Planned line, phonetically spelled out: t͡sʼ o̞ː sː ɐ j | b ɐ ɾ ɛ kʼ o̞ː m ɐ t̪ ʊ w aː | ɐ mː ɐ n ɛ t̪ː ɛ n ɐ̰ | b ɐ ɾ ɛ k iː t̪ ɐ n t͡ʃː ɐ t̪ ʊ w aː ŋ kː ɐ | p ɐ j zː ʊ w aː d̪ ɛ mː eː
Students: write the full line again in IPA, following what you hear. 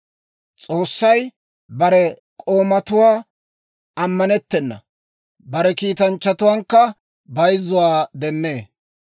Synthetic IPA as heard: t͡sʼ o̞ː sː ɐ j | b ɐ ɾ ɛ kʼ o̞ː m ɐ t̪ ʊ w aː | ɐ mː ɐ n ɛ t̪ː ɛ nː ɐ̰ | b ɐ ɾ ɛ k iː t̪ ɐ n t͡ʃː ɐ t̪ ʊ w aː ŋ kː ɐ | b ɐ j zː ʊ w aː d̪ ɛ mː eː